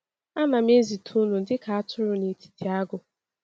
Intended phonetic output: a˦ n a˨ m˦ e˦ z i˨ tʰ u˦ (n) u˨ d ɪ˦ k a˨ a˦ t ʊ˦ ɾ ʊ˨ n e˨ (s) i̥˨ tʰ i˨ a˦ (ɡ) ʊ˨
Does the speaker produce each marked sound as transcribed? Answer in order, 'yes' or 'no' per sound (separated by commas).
yes, no, yes